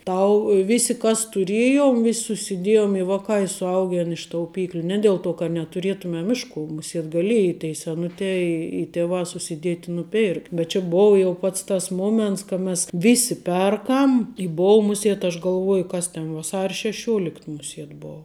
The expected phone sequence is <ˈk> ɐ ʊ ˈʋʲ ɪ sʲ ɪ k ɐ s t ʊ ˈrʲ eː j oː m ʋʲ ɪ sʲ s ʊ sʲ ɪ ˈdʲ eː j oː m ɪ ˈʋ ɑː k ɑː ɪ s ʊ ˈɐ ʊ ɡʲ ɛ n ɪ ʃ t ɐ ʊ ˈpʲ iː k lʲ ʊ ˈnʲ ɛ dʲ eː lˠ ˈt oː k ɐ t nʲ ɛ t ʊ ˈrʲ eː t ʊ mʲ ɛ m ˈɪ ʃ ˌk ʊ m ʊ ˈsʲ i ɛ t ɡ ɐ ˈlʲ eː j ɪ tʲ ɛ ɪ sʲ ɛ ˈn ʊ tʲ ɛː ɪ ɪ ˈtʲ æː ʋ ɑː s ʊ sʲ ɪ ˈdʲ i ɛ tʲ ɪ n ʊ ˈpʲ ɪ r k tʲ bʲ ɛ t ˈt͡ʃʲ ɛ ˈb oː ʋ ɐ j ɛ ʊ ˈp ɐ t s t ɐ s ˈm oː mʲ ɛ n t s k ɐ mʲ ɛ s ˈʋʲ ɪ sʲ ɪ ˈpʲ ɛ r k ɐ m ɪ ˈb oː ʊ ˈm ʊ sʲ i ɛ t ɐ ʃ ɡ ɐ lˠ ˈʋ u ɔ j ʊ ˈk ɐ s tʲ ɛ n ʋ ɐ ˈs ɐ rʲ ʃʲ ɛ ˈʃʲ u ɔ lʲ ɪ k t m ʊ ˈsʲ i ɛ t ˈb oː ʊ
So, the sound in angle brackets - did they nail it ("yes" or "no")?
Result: no